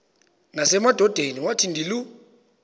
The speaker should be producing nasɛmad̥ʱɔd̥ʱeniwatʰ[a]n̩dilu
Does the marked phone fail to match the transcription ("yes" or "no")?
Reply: yes